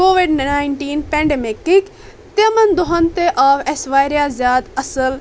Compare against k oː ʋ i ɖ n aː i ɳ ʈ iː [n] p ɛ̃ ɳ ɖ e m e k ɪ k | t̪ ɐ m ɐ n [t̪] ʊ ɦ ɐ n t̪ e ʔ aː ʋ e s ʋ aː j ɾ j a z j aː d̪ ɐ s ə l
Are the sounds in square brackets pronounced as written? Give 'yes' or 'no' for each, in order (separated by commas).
yes, no